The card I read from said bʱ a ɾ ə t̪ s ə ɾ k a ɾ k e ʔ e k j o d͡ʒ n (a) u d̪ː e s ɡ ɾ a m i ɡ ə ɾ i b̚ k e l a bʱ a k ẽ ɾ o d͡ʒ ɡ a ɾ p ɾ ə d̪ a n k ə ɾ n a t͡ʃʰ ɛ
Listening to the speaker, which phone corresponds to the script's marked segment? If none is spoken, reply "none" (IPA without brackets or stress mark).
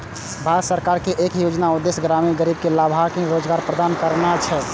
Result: a